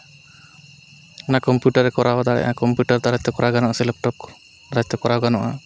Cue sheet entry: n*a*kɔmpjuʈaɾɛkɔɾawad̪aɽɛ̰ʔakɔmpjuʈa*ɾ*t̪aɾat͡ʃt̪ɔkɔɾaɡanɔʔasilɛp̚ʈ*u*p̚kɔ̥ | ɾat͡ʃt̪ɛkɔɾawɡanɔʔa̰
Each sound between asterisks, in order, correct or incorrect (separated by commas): correct, correct, incorrect